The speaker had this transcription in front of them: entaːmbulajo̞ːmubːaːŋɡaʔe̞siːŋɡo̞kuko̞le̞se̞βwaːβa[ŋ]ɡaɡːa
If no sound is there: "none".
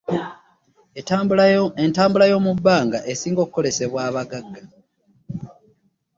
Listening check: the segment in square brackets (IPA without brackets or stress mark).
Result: none